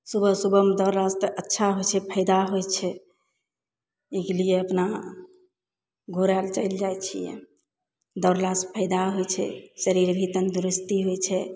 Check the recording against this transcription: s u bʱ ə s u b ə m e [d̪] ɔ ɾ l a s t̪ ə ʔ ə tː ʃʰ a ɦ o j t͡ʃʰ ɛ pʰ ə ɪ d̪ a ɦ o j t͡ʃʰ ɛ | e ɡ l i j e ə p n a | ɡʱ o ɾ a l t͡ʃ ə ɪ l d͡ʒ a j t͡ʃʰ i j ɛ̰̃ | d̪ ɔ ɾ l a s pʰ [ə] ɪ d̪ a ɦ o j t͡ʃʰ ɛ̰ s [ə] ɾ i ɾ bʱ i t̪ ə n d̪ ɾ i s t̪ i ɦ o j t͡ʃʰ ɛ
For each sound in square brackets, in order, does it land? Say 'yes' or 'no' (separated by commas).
yes, yes, yes